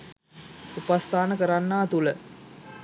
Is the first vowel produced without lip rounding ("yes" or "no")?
no